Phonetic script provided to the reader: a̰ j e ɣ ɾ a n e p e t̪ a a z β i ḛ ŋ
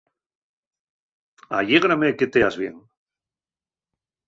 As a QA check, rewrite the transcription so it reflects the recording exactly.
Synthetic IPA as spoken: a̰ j e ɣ ɾ a m e k e t̪ e a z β j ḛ ŋ